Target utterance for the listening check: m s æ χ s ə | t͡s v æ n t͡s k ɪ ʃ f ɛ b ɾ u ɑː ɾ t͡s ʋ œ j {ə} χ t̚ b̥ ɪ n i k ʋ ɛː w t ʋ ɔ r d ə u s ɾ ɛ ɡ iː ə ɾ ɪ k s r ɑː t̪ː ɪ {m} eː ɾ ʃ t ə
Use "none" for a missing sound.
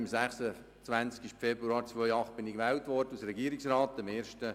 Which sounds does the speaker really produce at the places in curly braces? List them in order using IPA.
ɑ, m

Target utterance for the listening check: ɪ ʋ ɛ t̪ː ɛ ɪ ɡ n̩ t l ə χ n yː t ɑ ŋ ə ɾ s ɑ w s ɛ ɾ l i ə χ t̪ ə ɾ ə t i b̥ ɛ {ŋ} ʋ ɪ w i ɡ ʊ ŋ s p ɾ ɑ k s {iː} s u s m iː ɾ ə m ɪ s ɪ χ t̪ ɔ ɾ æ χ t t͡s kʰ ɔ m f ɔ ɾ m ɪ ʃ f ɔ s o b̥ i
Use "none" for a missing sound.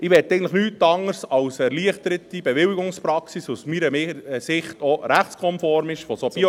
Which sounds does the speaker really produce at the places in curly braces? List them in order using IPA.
none, i

